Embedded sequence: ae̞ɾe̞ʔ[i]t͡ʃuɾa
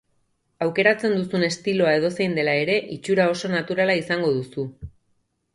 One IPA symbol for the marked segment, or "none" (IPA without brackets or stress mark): i